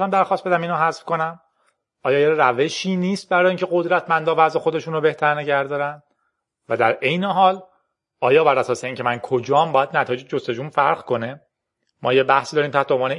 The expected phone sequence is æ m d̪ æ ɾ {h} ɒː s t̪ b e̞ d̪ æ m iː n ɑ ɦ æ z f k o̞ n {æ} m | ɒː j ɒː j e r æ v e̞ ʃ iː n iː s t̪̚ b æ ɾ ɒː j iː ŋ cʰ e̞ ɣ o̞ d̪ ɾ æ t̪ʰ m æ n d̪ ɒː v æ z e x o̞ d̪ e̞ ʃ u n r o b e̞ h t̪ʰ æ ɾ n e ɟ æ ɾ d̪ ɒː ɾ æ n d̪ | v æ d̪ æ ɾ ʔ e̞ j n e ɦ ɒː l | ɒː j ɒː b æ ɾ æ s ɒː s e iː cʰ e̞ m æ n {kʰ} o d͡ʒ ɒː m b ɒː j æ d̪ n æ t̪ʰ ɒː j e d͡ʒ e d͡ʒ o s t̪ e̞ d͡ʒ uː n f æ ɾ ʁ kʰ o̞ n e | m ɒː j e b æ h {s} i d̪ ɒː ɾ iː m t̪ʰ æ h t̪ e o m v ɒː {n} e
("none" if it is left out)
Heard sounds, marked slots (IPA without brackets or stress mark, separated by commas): x, æ, kʰ, s, n